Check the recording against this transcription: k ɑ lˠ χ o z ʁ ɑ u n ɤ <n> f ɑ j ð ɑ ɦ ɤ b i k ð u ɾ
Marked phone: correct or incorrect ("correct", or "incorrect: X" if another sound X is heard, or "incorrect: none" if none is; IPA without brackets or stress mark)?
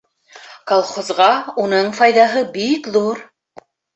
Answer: incorrect: ɴ